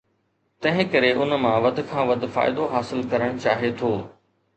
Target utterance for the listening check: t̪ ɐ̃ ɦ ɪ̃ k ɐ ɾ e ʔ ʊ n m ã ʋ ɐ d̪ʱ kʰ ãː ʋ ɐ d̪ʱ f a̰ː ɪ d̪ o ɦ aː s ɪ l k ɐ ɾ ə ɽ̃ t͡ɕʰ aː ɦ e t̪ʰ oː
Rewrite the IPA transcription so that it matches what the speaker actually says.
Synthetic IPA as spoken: t̪ ɐ̃ ɦ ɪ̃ k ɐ ɾ e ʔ ʊ n m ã ʋ ɐ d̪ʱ kʰ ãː ʋ ɐ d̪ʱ f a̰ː ɪ d̪ o ɦ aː s ɪ l k ɐ ɾ ə ɽ̃ t͡ɕ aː ɦ e t̪ʰ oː